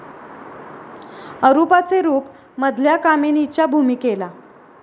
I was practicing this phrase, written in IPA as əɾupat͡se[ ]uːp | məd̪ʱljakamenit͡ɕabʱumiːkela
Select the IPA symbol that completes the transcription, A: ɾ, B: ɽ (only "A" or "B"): A